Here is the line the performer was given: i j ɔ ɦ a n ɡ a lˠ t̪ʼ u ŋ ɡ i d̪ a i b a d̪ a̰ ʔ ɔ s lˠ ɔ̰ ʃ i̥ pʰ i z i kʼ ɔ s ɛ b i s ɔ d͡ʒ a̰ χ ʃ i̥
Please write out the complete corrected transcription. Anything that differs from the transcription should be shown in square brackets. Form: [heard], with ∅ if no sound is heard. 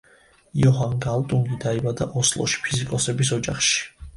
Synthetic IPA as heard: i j ɔ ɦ a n ɡ a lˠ t̪ʼ u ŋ ɡ i d̪ a i b a d̪ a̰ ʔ ɔ s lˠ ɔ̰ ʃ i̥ pʰ i z i kʼ ɔ s ɛ b i s ɔ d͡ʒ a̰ χ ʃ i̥